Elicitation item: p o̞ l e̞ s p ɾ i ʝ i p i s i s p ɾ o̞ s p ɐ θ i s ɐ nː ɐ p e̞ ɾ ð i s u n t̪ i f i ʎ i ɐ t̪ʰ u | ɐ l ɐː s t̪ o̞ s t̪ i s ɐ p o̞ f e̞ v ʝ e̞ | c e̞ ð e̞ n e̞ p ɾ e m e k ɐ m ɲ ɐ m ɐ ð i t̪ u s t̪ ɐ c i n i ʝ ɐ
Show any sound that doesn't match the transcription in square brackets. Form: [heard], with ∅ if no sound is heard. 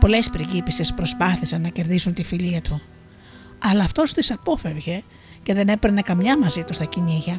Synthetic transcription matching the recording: p o̞ l e̞ s p ɾ i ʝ i p i s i s p ɾ o̞ s p ɐ θ i s ɐ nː ɐ [c] e̞ ɾ ð i s u n t̪ i f i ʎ i ɐ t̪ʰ u | ɐ l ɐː [f] t̪ o̞ s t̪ i s ɐ p o̞ f e̞ v ʝ e̞ | c e̞ ð e̞ n e̞ p ɾ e [n] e k ɐ m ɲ ɐ m ɐ [z] i t̪ u s t̪ ɐ c i n i ʝ ɐ